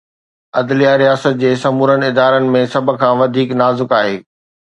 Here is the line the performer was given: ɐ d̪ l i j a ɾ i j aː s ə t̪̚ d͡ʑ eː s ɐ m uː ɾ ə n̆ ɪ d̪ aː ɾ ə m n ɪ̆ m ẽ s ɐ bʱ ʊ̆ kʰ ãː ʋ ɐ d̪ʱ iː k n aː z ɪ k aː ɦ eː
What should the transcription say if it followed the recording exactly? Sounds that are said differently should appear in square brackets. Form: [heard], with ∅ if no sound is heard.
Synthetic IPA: ɐ d̪ l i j a ɾ i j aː s ə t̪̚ d͡ʑ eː s ɐ m uː ɾ ə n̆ ɪ d̪ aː ɾ ə [∅] n ɪ̆ m ẽ s ɐ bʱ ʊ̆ kʰ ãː ʋ ɐ d̪ʱ iː k n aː z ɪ k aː ɦ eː